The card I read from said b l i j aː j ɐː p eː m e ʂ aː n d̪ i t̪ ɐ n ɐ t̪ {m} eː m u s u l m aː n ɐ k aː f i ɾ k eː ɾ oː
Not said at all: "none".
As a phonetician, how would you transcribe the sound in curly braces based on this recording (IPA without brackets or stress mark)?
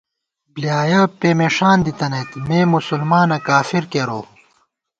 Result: m